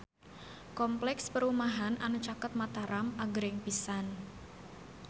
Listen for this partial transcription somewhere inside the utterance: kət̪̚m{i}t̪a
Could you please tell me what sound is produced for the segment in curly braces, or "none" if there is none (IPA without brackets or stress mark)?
a